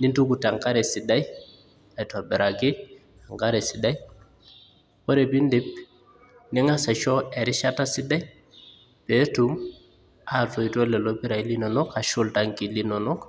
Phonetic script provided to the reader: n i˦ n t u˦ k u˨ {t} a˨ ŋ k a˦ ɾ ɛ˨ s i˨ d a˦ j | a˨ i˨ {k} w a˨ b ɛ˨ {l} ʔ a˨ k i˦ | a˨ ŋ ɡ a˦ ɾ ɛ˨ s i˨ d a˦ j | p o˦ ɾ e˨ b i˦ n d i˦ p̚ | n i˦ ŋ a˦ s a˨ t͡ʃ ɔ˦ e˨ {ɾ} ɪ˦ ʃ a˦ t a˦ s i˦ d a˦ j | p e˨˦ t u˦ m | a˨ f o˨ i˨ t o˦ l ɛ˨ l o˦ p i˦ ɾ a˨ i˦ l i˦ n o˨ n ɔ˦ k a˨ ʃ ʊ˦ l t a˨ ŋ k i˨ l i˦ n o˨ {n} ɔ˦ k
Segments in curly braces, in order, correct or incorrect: correct, incorrect: t, incorrect: ɾ, correct, correct

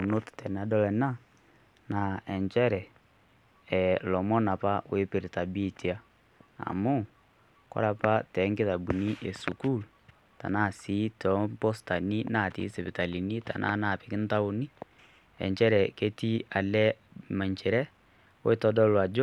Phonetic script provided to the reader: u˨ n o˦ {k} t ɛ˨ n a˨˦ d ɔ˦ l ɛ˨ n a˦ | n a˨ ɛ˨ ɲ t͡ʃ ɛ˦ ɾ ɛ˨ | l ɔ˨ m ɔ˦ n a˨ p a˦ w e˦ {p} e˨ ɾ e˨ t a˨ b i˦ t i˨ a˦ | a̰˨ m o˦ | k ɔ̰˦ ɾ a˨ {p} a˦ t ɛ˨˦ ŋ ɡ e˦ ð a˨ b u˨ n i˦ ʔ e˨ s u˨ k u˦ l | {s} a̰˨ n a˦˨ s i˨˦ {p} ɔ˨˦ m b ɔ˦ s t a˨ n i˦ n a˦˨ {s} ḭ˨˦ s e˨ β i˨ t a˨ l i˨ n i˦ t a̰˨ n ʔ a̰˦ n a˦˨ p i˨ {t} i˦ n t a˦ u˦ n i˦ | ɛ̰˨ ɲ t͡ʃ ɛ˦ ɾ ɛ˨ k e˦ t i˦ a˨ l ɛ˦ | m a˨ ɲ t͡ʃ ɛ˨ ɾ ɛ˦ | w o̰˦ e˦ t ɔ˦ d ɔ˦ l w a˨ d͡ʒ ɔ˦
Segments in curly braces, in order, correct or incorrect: incorrect: t, correct, correct, incorrect: t, incorrect: t, incorrect: t, incorrect: k

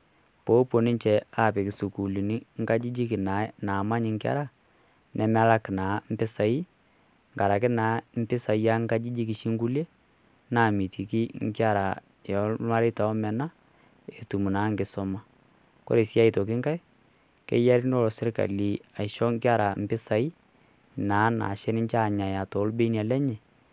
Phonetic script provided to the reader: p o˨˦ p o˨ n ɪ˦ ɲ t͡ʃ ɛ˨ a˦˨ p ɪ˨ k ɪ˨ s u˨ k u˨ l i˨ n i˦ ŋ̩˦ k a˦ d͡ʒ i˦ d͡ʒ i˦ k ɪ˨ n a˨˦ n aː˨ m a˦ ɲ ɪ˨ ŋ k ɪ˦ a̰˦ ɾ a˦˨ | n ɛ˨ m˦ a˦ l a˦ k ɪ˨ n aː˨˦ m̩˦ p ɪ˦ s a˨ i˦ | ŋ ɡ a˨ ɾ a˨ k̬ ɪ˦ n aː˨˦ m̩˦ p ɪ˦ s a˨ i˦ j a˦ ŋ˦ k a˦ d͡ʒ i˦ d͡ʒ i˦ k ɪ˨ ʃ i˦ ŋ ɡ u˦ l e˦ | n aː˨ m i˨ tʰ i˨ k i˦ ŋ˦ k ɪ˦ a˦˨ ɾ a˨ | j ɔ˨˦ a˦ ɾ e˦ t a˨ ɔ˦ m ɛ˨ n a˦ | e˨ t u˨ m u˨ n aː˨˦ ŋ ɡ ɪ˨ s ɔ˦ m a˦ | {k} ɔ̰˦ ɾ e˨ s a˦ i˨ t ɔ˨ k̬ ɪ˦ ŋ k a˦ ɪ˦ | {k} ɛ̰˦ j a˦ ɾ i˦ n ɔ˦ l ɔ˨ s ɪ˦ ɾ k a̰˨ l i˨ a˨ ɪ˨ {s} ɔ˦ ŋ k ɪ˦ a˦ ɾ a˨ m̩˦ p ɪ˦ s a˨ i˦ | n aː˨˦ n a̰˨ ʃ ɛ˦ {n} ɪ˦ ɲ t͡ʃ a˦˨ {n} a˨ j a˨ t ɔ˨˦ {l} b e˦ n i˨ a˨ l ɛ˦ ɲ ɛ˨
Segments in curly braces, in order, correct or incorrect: correct, correct, incorrect: ʃ, correct, incorrect: ɲ, correct

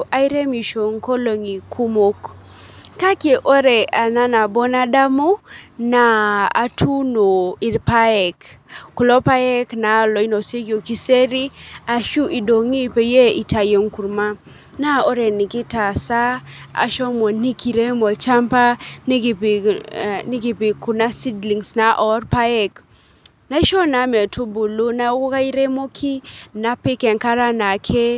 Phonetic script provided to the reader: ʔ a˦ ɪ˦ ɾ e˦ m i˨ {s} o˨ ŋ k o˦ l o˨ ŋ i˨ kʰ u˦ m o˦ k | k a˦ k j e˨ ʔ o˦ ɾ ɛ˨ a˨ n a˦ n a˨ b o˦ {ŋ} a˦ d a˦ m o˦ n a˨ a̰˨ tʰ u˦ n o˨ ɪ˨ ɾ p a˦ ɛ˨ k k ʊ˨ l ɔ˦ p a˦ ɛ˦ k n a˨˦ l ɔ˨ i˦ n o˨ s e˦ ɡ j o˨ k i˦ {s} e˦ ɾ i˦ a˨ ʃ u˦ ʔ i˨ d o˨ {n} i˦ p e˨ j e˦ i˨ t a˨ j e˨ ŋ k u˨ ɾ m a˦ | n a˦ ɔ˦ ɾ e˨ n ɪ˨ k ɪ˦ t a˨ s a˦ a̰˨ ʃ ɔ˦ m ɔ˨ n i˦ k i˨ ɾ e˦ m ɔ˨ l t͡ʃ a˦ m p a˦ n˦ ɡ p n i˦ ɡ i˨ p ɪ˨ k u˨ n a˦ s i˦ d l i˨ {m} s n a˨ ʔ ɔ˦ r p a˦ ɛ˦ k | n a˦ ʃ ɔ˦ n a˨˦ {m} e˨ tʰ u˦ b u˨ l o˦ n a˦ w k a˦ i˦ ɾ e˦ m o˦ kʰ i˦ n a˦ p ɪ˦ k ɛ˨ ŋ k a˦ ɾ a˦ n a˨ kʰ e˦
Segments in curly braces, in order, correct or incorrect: incorrect: ʃ, incorrect: n, correct, incorrect: ŋ, incorrect: ŋ, correct

